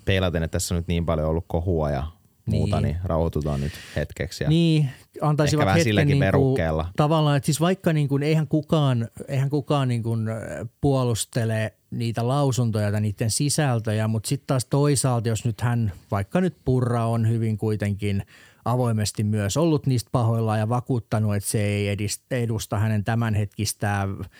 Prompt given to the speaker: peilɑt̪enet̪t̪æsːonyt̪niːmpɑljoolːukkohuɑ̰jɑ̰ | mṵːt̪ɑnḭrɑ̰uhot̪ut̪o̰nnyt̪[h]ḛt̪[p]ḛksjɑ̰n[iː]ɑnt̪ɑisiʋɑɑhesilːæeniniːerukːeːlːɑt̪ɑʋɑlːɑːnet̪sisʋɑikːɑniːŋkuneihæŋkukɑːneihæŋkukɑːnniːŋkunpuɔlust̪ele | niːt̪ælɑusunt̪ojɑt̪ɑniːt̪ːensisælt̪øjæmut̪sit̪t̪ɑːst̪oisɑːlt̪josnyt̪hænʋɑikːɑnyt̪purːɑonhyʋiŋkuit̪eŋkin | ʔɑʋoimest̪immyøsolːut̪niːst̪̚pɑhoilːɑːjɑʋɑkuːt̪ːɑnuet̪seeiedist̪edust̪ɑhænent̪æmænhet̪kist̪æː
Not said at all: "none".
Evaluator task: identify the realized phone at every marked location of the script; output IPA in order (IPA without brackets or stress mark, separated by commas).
h, k, iː